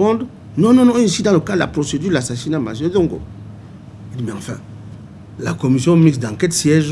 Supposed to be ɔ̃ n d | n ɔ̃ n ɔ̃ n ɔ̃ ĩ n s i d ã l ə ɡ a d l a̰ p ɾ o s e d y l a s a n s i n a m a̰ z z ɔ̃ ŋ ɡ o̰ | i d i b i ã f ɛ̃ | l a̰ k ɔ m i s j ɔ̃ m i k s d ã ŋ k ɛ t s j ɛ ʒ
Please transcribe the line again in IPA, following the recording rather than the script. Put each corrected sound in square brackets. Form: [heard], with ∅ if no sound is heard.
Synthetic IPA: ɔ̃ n d | n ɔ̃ n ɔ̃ n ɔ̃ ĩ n s i d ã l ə [k] a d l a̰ p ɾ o s e d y l a s a [∅] s i n a m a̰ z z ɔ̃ ŋ ɡ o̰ | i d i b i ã f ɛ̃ | l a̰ k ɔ m i s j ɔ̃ m i k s d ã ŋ k ɛ t s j ɛ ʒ